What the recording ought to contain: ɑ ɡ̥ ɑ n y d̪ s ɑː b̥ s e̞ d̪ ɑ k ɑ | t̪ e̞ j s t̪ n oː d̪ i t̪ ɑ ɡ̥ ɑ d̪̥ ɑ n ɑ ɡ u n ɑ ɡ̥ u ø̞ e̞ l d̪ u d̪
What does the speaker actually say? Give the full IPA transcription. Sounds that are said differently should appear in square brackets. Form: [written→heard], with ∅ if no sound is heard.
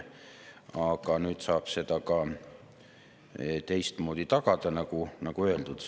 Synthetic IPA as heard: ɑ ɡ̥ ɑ n [y→yː] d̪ s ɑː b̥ s e̞ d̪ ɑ k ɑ | t̪ e̞ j s t̪ [n→m] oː d̪ i t̪ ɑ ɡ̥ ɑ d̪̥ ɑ n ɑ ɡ u n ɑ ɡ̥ u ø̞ e̞ l d̪ u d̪